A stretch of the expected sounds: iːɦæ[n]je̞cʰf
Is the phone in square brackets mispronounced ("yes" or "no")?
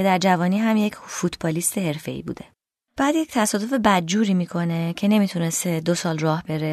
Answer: yes